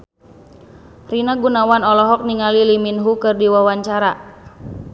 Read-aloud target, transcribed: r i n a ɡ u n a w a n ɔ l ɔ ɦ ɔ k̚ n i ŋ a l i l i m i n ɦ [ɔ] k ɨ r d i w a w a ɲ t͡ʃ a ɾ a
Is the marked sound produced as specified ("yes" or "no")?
no